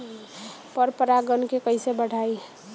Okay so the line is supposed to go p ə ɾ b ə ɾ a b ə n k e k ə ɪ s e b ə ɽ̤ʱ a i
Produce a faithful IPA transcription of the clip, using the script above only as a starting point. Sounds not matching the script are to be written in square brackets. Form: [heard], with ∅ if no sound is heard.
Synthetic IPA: p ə ɾ [p] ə ɾ a [ɡ] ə n k e k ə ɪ s e b ə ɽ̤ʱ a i